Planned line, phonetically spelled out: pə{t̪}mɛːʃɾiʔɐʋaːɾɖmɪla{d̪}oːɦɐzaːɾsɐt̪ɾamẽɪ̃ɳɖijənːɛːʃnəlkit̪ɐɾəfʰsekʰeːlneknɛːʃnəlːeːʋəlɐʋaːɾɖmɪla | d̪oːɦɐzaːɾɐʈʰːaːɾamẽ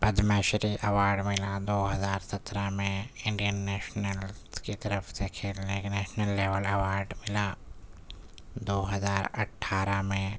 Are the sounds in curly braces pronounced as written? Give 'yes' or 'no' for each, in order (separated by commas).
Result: no, yes